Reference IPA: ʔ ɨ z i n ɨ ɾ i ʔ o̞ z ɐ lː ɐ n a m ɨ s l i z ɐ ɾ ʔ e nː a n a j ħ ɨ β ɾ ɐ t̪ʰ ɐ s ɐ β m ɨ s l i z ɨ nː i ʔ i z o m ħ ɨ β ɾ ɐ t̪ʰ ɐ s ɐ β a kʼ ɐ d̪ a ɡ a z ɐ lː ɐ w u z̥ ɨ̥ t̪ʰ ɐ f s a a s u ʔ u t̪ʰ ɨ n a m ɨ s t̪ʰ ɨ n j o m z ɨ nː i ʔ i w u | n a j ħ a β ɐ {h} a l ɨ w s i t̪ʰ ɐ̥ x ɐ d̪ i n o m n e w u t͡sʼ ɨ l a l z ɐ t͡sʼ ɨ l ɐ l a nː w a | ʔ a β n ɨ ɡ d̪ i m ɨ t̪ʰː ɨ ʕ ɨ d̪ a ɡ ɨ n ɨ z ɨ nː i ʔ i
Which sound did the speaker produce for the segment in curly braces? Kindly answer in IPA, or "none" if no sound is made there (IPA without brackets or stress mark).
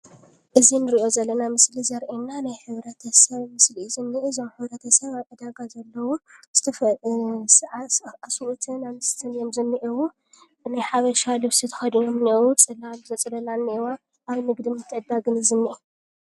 ʃ